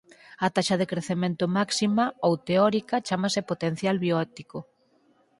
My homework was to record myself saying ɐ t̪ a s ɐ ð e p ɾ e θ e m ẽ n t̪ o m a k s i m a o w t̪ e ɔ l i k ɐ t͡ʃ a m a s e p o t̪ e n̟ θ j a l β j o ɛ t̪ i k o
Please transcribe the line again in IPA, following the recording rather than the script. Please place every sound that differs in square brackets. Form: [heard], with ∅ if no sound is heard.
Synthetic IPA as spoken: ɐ t̪ a [ʃ] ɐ ð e [k] ɾ e θ e m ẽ n t̪ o m a k s i m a o w t̪ e ɔ [ɾ] i k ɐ t͡ʃ a m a s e p o t̪ e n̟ θ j a l β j o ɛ t̪ i k o